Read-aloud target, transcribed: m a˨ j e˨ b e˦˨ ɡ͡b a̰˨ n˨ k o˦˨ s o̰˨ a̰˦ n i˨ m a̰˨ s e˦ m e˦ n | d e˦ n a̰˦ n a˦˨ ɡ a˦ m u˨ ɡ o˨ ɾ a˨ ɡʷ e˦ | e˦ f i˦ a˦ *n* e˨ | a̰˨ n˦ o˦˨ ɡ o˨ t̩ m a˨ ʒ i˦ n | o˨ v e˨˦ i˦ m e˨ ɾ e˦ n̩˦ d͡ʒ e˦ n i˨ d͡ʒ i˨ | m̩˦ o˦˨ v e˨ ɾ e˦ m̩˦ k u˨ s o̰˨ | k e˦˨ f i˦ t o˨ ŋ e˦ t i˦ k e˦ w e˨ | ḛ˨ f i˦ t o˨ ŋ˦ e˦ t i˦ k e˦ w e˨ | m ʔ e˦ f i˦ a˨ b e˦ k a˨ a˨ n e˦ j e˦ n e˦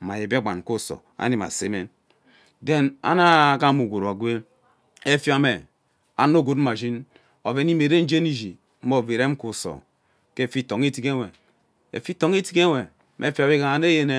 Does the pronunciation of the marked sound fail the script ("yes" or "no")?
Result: yes